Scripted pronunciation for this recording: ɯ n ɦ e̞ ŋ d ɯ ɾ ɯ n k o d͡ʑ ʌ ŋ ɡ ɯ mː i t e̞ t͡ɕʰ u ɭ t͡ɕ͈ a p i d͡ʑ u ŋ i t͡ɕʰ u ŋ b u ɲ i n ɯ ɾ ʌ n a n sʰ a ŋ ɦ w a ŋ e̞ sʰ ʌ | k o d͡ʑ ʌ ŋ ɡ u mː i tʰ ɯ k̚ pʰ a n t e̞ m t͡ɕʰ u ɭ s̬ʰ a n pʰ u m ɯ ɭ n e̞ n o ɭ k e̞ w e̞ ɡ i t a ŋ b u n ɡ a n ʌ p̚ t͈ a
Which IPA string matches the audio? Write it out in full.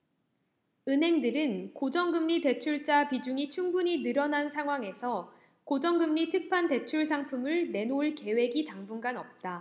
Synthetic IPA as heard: ɯ n ɦ e̞ ŋ d ɯ ɾ ɯ n k o d͡ʑ ʌ ŋ ɡ ɯ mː i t e̞ t͡ɕʰ u ɭ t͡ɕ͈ a p i d͡ʑ u ŋ i t͡ɕʰ u ŋ b u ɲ i n ɯ ɾ ʌ n a n sʰ a ŋ ɦ w a ŋ e̞ sʰ ʌ | k o d͡ʑ ʌ ŋ ɡ ɯ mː i tʰ ɯ k̚ pʰ a n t e̞ t͡ɕʰ u ɭ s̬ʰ a ŋ pʰ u m ɯ ɭ n e̞ n o ɭ k e̞ w e̞ ɡ i t a ŋ b u n ɡ a n ʌ p̚ t͈ a